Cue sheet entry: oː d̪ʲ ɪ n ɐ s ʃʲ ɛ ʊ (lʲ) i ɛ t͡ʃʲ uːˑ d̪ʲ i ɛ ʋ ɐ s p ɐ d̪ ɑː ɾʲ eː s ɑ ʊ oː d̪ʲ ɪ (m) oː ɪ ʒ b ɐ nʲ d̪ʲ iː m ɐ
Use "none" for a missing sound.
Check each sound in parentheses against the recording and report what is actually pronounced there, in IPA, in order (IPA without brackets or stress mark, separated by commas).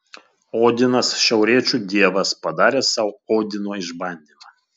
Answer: ɾʲ, n